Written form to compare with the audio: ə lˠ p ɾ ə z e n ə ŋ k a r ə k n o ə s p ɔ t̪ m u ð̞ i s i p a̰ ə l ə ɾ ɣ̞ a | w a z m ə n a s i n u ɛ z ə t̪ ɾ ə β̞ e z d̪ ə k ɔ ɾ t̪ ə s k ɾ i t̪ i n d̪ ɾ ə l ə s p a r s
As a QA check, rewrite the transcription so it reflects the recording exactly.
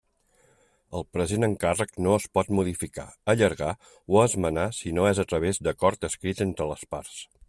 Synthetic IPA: ə lˠ p ɾ ə z e n ə ŋ k a r ə k n o ə s p ɔ t̪ m u ð̞ i f i k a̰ ə ʎ ə ɾ ɣ̞ a | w ə z m ə n a s i n o ɛ z ə t̪ ɾ ə β̞ e z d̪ ə k ɔ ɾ t̪ ə s k ɾ i t̪ e n t̪ ɾ ə l ə s p a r s